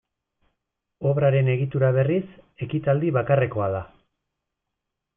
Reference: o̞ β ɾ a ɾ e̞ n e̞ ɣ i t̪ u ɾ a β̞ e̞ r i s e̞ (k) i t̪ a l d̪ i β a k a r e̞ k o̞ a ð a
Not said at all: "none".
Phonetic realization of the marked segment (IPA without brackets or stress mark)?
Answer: k